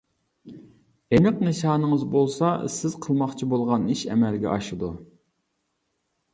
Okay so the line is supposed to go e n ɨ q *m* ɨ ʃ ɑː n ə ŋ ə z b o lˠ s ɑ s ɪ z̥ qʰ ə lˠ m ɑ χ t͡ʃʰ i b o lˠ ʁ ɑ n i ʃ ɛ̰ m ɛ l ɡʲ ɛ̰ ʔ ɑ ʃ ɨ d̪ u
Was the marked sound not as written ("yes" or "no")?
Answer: yes